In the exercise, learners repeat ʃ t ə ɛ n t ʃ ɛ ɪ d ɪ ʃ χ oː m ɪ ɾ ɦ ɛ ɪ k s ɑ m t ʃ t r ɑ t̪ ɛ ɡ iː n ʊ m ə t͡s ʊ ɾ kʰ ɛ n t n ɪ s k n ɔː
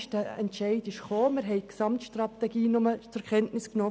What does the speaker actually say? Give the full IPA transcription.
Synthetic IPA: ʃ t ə ɛ n t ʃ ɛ ɪ d ɪ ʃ χ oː m ɪ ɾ ɦ ɛ ɪ k s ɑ m t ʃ t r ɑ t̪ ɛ ɡ iː n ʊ m ə t͡s ʊ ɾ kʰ ɛ n t n ɪ s k n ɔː